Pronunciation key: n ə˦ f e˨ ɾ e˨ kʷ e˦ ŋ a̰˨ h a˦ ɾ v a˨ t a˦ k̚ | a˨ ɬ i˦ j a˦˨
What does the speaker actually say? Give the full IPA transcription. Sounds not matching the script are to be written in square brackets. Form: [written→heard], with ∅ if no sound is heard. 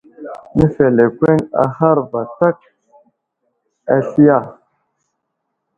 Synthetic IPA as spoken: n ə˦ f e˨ [ɾ→l] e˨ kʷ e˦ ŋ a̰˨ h a˦ ɾ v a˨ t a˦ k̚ | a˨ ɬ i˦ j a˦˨